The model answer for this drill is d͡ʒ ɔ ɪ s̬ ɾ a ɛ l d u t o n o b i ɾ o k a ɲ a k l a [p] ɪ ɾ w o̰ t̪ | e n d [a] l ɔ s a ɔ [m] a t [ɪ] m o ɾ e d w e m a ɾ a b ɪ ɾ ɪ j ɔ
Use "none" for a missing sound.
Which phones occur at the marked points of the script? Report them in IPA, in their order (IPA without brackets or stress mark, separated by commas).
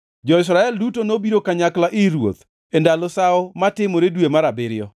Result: ʔ, a, m, ɪ